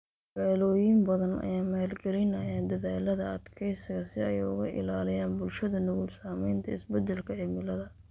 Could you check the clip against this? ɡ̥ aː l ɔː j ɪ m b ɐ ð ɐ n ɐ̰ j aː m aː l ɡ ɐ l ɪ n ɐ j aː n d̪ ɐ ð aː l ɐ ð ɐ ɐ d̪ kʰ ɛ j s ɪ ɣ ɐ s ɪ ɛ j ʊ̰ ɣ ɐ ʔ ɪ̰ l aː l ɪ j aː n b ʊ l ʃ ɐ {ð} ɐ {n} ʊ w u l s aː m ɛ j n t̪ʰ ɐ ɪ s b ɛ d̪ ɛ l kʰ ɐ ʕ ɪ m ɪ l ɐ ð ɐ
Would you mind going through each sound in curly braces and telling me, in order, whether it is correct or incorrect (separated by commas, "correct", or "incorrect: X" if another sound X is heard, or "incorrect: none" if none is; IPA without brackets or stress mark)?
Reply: correct, correct